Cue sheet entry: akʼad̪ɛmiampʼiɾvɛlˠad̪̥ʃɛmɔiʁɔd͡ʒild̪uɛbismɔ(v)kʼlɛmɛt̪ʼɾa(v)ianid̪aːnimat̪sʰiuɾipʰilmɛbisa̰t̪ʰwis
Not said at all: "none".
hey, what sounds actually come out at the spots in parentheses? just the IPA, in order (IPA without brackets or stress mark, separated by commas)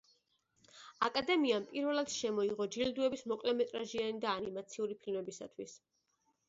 none, ʒ